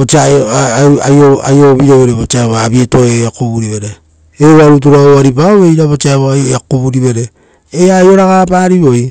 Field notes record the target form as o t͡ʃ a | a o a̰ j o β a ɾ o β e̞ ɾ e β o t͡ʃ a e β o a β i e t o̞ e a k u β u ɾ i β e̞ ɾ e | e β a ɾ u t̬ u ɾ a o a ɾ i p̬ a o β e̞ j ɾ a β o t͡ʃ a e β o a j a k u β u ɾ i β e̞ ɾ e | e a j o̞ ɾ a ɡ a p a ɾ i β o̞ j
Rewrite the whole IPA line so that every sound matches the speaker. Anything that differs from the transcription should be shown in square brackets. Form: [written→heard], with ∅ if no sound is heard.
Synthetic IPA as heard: o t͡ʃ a | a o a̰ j o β [a→i] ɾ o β e̞ ɾ e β o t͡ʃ a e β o a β i e t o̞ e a k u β u ɾ i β e̞ ɾ e | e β a ɾ u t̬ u ɾ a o a ɾ i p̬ a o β e̞ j ɾ a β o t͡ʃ a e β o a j a k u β u ɾ i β e̞ ɾ e | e a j o̞ ɾ a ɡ a p a ɾ i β o̞ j